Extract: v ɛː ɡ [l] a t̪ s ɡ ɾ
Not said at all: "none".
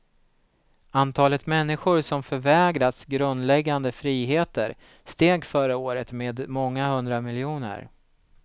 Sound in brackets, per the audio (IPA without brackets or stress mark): ɾ